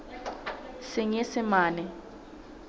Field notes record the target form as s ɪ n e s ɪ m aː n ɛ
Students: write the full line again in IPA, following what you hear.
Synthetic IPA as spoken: s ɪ ŋ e s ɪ m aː n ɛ